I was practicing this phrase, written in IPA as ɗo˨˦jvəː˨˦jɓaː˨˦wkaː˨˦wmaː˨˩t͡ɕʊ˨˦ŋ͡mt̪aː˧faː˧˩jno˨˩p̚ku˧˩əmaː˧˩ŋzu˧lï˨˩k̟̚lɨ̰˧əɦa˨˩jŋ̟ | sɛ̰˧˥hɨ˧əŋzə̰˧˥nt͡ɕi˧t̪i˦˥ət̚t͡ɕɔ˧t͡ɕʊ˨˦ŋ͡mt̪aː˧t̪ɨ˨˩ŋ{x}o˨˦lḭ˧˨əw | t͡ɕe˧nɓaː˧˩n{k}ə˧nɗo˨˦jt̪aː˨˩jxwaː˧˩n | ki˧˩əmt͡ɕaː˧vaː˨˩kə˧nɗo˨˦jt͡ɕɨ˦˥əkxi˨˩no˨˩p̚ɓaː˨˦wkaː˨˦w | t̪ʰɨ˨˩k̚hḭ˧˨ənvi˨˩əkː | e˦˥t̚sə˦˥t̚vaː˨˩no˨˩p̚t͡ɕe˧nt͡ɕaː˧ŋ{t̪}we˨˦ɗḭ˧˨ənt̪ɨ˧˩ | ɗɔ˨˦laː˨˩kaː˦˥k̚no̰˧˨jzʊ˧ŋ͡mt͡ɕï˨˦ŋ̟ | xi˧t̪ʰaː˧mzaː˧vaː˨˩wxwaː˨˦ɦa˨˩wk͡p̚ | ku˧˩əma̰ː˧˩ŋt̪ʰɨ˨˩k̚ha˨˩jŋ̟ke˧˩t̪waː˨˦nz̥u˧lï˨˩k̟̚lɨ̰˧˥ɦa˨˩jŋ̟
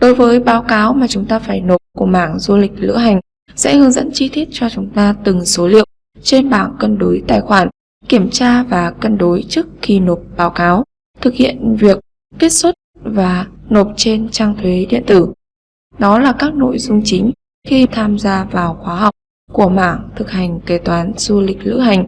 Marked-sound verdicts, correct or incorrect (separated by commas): incorrect, correct, incorrect